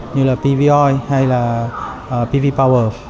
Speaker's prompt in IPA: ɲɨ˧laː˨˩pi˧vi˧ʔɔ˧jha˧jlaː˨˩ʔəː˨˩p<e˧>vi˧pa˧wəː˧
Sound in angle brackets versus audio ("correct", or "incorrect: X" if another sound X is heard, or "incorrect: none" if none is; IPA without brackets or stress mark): incorrect: i˧